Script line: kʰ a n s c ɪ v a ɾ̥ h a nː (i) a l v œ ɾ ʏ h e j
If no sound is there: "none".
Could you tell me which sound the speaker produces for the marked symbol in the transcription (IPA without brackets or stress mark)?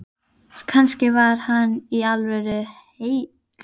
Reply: i